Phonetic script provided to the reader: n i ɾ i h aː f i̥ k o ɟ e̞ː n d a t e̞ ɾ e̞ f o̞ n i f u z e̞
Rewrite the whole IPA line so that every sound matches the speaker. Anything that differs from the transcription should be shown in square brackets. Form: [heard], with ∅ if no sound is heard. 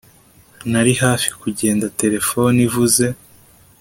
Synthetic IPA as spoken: n [a] ɾ i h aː f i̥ k [u] ɟ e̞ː n d a t e̞ ɾ e̞ f o̞ n i [v] u z e̞